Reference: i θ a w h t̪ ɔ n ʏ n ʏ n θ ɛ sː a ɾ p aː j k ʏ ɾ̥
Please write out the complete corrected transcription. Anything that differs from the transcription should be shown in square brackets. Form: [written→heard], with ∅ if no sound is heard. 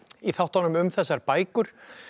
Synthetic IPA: i θ a w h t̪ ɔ n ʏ [n→m] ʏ [n→m] θ ɛ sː a ɾ p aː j k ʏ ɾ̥